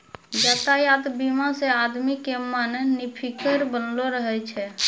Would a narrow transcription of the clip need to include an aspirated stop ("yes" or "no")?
yes